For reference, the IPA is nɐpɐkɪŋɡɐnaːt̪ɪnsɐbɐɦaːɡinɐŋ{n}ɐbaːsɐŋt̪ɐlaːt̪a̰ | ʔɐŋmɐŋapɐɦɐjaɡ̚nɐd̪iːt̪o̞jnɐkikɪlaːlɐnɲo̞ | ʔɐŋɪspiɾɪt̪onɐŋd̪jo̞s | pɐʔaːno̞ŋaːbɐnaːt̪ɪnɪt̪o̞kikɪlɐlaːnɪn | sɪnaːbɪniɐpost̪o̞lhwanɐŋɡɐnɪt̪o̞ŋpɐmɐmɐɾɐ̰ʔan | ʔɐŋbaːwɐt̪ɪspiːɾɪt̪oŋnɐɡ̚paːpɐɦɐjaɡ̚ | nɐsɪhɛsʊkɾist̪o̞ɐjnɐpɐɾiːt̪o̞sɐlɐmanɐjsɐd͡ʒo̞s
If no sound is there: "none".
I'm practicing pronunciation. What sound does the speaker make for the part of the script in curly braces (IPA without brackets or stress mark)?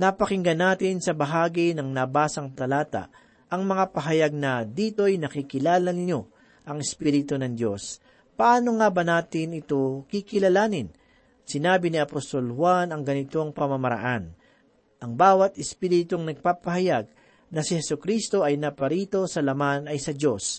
n